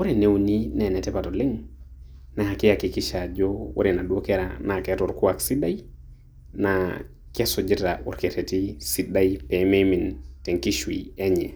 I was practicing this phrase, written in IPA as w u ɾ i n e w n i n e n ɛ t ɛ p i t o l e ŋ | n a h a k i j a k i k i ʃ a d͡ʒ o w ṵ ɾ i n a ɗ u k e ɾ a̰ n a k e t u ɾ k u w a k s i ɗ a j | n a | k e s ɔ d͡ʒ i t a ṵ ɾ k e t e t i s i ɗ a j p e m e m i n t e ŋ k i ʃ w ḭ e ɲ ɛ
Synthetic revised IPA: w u ɾ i n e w n i n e n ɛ t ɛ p a t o l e ŋ | n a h a k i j a k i k i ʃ a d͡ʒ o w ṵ ɾ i n a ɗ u k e ɾ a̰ n a k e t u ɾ k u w a k s i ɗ a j | n a | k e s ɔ d͡ʒ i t a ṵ ɾ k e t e t i s i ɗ a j p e m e m i n t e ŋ k i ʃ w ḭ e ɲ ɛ